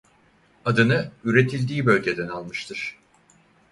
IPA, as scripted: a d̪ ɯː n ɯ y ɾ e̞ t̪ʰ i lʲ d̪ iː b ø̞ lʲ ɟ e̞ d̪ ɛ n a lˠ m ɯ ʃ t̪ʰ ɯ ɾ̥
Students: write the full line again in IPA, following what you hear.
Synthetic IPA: a d̪ ɯ n ɯ y ɾ e̞ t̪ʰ i lʲ d̪ iː b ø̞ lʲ ɟ e̞ d̪ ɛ n a lˠ m ɯ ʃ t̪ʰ ɯ ɾ̥